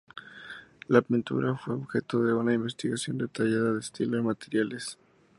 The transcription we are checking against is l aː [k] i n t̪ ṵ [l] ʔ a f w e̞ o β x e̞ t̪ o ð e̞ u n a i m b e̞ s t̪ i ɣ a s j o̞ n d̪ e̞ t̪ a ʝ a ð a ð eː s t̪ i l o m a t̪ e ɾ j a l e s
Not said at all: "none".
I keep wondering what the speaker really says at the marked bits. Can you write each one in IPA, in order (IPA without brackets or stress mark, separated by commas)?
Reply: p, ɾ